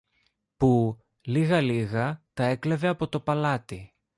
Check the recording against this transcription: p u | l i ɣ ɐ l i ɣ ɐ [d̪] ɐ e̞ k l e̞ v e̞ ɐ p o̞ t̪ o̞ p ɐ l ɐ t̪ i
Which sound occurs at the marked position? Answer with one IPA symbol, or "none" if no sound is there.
t̪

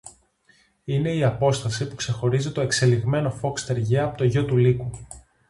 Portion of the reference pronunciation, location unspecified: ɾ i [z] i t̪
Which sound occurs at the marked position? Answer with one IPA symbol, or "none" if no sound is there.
z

